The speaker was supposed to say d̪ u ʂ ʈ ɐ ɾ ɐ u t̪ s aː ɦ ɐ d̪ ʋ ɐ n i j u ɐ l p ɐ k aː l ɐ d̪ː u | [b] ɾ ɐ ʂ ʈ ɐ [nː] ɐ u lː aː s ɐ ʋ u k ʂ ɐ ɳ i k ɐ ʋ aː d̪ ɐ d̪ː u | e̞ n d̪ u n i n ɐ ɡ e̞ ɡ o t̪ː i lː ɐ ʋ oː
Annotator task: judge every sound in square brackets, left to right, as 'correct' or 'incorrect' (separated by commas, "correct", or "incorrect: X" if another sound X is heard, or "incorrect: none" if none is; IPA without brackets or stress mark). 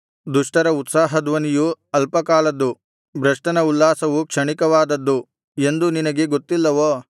correct, incorrect: n